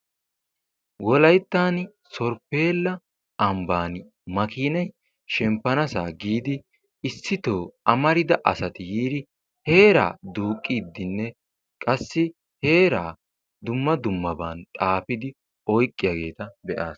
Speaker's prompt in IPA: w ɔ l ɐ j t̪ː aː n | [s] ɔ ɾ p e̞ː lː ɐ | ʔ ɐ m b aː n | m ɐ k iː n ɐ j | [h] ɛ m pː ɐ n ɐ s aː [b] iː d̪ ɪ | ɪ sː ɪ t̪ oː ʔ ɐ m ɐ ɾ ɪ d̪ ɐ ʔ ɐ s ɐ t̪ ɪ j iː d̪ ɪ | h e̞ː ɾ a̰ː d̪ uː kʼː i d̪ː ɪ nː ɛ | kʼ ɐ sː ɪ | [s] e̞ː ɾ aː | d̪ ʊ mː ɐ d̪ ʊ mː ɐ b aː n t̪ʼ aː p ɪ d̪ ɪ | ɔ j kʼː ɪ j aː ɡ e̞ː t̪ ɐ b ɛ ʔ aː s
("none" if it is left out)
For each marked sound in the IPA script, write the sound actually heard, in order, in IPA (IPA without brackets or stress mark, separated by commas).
s, ʃ, ɡ, h